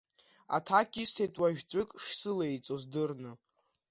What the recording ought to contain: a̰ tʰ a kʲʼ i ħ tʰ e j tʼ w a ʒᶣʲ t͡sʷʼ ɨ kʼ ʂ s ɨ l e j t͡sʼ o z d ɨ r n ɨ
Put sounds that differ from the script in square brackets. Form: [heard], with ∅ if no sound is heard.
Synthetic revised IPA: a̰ tʰ a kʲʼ i [s] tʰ e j tʼ w a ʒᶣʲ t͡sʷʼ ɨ kʼ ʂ s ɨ l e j t͡sʼ o z d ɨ r n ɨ